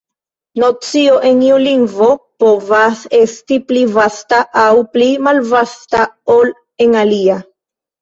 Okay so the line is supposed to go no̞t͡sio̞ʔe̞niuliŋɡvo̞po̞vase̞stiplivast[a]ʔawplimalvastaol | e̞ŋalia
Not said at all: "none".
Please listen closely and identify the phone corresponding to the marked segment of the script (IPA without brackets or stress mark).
a